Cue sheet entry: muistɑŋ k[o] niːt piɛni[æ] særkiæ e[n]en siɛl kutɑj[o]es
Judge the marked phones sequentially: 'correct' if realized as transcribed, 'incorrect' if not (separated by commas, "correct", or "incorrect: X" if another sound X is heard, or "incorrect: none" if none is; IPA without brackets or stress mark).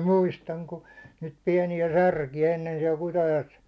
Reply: incorrect: u, correct, incorrect: nː, correct